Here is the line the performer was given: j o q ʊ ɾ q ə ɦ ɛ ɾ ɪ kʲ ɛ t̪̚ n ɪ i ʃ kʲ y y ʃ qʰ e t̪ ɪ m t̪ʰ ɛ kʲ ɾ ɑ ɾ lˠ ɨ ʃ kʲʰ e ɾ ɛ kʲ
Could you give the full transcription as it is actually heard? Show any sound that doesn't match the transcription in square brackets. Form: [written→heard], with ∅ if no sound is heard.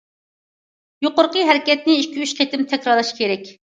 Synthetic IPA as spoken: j o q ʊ ɾ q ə ɦ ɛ ɾ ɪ kʲ ɛ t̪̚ n ɪ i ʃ kʲ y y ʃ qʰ e t̪ ɪ m t̪ʰ ɛ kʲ ɾ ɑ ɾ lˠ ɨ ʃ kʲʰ e ɾ ɛ kʲ